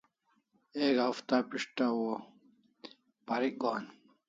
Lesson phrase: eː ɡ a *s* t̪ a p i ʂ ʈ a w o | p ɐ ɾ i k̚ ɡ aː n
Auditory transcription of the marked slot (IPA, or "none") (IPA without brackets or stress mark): f